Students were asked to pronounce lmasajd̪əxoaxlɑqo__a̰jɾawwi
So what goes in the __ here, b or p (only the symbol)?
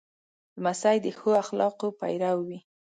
p